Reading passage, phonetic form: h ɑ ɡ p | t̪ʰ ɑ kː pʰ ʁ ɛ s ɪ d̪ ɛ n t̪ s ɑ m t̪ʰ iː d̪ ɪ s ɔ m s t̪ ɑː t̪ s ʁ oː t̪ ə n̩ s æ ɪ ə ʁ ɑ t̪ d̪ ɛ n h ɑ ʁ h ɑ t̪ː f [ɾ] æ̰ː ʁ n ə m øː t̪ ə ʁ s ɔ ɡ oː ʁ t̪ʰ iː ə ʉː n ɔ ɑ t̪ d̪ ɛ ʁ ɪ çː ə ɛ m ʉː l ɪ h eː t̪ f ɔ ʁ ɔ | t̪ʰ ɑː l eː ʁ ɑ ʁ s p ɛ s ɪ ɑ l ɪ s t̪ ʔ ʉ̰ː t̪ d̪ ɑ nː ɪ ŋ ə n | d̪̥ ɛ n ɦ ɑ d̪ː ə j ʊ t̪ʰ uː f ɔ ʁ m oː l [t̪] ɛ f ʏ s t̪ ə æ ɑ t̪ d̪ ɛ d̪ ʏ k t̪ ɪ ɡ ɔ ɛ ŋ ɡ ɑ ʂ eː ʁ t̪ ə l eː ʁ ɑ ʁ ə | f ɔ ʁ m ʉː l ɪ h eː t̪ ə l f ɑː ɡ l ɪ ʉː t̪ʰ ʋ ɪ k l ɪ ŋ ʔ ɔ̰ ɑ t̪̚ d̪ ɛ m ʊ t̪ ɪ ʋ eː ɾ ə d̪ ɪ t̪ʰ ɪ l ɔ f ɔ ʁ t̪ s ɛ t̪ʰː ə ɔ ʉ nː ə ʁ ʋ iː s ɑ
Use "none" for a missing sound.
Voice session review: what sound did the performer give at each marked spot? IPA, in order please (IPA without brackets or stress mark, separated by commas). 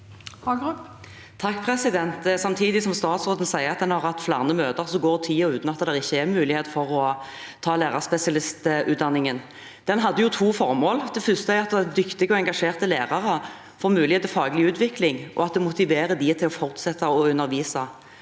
l, d̪